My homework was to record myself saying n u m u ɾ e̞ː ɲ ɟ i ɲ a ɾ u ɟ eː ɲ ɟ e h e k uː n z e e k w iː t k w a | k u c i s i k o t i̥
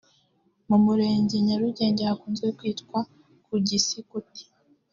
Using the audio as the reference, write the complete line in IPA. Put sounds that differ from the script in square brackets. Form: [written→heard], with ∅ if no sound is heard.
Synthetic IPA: [n→m] u m u ɾ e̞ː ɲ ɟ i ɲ a ɾ u ɟ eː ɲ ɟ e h [e→a] k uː n z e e k w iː t k w a | k u [c→ɟ] i s i k [o→u] t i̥

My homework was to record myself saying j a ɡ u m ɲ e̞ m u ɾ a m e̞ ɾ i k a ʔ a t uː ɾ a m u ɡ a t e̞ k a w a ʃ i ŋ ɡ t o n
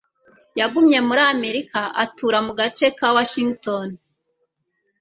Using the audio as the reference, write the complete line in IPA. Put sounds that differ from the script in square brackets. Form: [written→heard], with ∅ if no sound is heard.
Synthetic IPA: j a ɡ u m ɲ e̞ m u ɾ a m e̞ ɾ i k a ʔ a t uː ɾ a m u ɡ a [t→t͡ʃ] e̞ k a w a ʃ i ŋ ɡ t o n

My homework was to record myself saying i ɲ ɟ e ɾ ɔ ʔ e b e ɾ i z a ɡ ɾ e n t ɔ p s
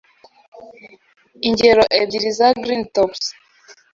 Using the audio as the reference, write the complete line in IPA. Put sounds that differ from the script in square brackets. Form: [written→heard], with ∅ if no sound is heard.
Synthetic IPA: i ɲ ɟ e ɾ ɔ ʔ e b [e→i] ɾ i z a ɡ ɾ [e→i] n t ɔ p s

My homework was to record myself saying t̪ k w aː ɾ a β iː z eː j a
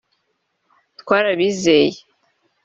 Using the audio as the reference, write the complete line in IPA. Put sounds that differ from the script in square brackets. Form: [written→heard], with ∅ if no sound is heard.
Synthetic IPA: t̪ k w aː ɾ a β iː z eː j [a→e]

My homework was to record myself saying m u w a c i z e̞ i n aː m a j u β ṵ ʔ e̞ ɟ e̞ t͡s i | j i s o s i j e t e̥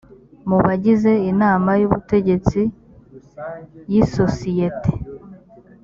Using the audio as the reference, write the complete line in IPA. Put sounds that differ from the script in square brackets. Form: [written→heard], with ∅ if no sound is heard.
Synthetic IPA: m u [w→β] a [c→ɟ] i z e̞ i n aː m a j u β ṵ [ʔ→t] e̞ ɟ e̞ t͡s i | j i s o s i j e t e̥

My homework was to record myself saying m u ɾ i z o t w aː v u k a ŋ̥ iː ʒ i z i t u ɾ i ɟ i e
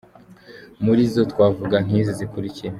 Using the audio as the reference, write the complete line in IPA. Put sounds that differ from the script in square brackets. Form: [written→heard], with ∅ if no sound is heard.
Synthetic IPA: m u ɾ i z o t w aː v u [k→ɡ] a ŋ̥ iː [ʒ→z] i z i [t→k] u ɾ i [ɟ→c] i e

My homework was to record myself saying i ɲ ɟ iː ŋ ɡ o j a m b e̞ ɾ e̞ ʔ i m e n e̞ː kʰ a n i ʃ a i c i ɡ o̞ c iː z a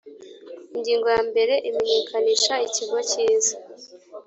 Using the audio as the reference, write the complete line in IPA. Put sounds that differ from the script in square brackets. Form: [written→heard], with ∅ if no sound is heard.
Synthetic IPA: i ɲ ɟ iː ŋ ɡ o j a m b e̞ ɾ e̞ ʔ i m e [n→ɲ] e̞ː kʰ a n i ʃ a i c i ɡ o̞ c iː z a

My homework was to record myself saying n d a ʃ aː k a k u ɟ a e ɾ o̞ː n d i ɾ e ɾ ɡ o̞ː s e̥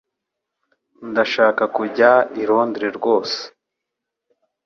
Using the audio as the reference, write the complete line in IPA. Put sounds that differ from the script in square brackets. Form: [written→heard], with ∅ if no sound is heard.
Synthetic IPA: n d a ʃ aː k a k u ɟ a [e→i] ɾ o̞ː n d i ɾ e ɾ ɡ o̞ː s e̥

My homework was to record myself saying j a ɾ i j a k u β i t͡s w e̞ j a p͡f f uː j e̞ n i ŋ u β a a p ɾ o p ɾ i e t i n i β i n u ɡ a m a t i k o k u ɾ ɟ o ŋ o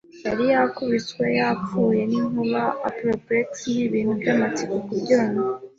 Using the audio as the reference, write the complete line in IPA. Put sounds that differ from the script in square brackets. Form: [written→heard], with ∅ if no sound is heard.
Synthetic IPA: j a ɾ i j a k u β i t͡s w e̞ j a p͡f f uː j e̞ n i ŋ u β a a p ɾ o p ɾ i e t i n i β i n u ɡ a m a t i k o k u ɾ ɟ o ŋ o

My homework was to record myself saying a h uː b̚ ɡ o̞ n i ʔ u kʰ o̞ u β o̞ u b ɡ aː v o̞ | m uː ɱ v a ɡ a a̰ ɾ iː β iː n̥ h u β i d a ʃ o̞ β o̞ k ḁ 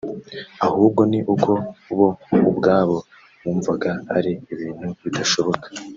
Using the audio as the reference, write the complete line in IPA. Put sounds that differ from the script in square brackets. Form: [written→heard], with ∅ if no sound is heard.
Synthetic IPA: a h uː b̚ ɡ o̞ n i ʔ u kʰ o̞ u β o̞ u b ɡ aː [v→β] o̞ | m uː ɱ v a ɡ a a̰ ɾ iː β iː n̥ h u β i d a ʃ o̞ β o̞ k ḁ

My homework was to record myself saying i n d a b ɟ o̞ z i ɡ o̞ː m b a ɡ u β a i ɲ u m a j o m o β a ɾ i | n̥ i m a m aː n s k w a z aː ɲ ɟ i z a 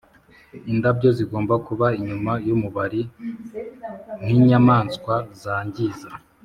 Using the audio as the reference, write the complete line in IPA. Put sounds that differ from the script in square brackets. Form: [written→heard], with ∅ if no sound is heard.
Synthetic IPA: i n d a b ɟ o̞ z i ɡ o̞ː m b a [ɡ→k] u β a i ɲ u m a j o m [o→u] β a ɾ i | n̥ i [m→ɲ] a m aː n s k w a z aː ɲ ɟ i z a

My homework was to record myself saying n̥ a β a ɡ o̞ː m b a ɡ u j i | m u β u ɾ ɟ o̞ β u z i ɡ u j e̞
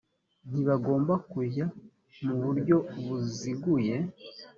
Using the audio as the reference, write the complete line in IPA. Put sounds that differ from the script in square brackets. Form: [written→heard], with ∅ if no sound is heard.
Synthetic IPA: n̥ [a→i] β a ɡ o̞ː m b a [ɡ→k] u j [i→a] | m u β u ɾ ɟ o̞ β u z i ɡ u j e̞

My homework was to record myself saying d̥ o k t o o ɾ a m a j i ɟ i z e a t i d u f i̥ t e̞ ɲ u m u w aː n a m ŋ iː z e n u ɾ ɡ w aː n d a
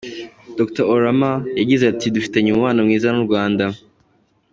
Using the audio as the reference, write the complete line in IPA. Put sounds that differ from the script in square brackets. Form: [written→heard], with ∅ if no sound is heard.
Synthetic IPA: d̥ o k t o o ɾ a m a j [i→a] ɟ i z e a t i d u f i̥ t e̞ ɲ u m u w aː n a m ŋ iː z [e→a] n u ɾ ɡ w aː n d a

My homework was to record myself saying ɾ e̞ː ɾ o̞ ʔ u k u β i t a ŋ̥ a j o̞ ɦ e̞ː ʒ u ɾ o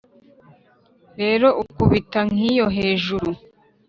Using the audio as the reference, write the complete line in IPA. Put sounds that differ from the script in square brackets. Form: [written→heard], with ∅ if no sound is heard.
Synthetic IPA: ɾ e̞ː ɾ o̞ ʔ u k u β i t a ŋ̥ [a→i] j o̞ ɦ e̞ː ʒ u ɾ [o→u]

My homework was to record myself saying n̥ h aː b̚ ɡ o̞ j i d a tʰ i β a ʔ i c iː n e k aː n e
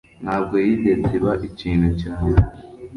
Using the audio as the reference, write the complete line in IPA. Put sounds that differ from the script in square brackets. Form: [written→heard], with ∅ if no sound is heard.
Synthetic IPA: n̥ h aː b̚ ɡ o̞ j i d [a→e] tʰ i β a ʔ i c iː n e [k→c] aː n e

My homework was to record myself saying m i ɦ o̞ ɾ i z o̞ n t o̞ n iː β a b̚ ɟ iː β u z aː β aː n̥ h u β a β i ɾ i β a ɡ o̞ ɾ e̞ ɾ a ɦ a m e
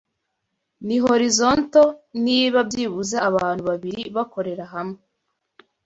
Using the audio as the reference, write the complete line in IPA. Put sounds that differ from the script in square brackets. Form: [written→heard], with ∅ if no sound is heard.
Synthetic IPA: [m→n] i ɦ o̞ ɾ i z o̞ n t o̞ n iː β a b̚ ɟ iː β u z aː β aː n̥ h u β a β i ɾ i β a [ɡ→k] o̞ ɾ e̞ ɾ a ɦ a m e

